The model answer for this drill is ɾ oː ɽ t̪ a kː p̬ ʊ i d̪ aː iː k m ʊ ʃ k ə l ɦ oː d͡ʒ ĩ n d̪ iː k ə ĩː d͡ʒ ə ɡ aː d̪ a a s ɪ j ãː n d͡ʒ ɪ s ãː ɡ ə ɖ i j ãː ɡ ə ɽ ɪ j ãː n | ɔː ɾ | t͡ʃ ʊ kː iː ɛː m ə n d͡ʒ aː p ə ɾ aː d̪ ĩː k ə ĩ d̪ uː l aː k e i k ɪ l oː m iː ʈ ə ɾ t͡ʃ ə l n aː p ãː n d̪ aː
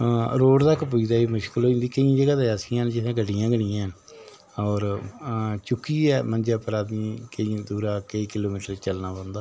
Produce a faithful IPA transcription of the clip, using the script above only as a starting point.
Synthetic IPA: ɾ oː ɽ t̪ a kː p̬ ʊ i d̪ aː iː m ʊ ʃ k ə l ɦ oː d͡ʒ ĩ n d̪ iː k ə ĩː d͡ʒ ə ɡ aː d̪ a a s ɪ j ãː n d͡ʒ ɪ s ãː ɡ ə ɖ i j ãː ɡ ə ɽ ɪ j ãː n | ɔː ɾ | t͡ʃ ʊ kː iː ɛː m ə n d͡ʒ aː p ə ɾ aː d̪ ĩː k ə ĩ d̪ uː ɾ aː k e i k ɪ l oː m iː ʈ ə ɾ t͡ʃ ə l n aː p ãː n d̪ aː